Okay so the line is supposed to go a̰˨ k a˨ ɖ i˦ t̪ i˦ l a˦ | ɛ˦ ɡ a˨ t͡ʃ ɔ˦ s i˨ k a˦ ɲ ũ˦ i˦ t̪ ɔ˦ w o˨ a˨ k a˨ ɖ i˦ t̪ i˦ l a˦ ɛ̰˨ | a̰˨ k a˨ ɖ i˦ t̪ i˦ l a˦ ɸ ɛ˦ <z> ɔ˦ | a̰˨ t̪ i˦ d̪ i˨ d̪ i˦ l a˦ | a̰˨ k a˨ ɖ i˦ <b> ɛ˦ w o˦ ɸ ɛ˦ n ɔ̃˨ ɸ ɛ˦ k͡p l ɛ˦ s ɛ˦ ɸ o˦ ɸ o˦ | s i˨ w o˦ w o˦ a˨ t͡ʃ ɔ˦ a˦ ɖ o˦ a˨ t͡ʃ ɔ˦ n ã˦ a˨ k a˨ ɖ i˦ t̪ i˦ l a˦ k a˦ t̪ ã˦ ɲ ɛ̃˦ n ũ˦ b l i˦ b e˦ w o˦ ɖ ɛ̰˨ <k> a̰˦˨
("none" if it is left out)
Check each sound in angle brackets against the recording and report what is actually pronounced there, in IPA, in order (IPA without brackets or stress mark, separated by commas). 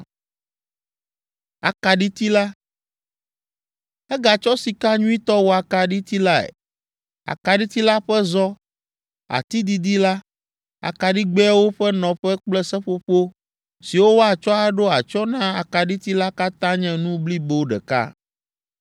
z, ɡ͡b, k